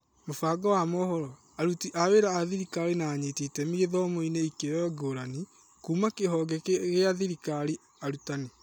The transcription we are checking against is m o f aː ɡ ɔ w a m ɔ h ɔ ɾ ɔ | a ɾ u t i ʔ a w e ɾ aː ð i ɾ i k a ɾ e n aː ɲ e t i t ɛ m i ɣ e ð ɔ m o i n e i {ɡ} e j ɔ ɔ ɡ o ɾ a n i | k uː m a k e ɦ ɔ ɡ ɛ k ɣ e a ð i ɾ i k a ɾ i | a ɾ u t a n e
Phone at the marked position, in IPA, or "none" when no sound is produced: k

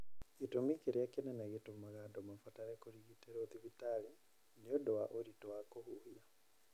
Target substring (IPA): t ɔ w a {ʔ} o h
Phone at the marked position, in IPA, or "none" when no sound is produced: k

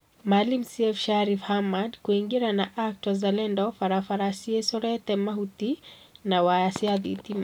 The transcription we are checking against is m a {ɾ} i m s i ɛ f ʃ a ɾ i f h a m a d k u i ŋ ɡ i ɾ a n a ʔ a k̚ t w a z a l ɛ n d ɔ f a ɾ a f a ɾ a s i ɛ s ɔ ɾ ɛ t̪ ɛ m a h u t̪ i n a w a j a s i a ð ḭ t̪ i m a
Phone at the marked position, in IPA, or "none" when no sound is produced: l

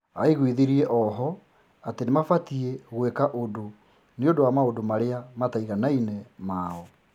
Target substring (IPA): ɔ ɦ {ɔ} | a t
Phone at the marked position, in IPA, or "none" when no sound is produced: ɔ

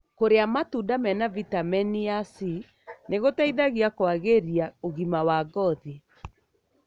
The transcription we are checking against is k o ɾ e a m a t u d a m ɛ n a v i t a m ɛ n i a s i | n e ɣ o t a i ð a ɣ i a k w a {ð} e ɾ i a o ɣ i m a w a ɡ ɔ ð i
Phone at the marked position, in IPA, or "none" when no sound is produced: ɣ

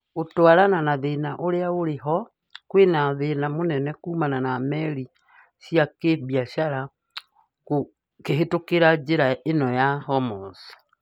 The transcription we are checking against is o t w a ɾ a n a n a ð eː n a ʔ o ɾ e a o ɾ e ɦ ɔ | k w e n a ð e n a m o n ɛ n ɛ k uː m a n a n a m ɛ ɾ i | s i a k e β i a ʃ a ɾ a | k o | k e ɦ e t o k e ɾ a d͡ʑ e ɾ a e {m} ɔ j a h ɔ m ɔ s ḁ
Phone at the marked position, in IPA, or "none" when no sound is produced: n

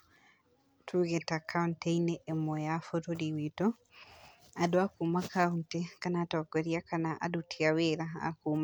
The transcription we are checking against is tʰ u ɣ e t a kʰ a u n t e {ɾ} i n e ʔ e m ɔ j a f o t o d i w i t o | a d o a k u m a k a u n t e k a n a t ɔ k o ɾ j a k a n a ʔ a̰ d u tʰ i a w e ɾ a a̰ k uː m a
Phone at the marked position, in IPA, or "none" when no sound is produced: none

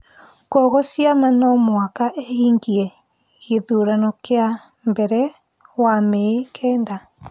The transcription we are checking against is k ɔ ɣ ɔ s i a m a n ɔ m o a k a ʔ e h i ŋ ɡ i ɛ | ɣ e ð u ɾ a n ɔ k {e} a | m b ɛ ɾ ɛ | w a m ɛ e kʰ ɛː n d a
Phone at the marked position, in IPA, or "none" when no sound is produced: e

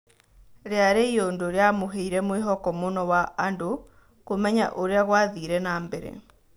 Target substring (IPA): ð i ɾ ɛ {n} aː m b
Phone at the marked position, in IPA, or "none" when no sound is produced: n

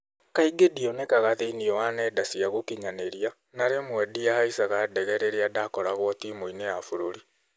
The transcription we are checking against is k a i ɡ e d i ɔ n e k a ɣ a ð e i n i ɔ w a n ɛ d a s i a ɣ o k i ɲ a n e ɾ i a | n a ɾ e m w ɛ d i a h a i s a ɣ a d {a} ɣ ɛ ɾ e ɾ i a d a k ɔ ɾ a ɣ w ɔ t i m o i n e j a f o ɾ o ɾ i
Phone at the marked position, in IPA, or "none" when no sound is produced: ɛ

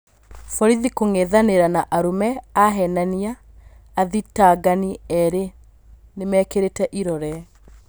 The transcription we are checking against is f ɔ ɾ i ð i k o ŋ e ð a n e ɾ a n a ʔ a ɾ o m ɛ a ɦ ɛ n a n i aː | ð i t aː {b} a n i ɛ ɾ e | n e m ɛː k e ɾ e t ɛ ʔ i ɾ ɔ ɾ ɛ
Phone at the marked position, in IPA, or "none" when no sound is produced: ɡ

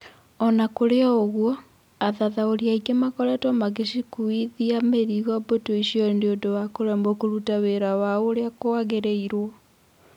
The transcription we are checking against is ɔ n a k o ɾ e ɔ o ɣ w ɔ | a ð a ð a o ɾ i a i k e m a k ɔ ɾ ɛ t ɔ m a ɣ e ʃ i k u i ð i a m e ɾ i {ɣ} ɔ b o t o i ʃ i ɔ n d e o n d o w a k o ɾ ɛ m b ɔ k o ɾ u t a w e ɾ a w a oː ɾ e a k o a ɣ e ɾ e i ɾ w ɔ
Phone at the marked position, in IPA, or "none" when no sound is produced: ɣ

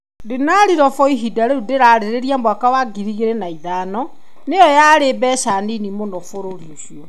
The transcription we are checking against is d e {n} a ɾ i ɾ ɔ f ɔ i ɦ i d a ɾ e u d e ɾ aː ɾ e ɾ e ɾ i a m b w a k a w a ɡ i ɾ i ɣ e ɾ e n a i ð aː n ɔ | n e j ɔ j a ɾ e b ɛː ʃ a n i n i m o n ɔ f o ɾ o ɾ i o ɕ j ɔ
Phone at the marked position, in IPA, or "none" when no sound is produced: n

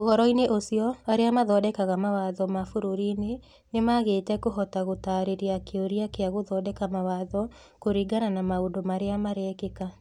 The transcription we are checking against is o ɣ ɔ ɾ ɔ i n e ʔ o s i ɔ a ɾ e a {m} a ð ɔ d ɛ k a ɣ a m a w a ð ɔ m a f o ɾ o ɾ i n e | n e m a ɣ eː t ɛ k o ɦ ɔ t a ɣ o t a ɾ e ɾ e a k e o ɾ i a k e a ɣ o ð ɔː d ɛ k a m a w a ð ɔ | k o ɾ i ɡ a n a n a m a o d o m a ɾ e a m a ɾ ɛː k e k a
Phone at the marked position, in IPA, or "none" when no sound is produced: m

